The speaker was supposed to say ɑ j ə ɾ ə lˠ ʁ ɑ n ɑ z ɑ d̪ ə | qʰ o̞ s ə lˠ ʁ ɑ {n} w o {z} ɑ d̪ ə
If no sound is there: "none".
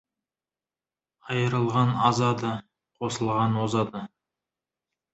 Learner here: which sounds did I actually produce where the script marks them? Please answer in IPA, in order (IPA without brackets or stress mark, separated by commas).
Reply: n, z